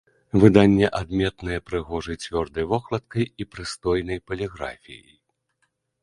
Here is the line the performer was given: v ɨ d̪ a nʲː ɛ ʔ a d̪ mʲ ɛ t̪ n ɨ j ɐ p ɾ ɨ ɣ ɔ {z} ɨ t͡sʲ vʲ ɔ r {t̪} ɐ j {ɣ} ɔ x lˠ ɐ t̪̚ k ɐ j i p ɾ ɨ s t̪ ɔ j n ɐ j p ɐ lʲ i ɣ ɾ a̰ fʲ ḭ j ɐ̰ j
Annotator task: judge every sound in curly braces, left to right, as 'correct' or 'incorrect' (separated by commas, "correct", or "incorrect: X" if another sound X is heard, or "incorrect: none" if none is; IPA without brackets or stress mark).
incorrect: ʐ, incorrect: d̪, incorrect: v